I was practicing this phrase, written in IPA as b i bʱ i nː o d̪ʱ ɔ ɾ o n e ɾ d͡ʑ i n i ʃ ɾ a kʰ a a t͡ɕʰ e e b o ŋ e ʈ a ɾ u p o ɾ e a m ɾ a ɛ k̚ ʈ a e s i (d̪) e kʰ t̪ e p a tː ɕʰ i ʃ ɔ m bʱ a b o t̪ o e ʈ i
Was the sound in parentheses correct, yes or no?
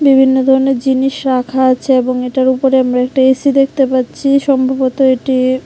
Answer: yes